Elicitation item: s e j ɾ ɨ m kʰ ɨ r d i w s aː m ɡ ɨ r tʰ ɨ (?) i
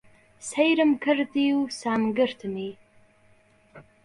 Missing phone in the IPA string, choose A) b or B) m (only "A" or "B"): B